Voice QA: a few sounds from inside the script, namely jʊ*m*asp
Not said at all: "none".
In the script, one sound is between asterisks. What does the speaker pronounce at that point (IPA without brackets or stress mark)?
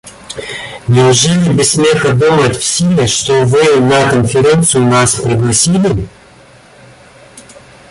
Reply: n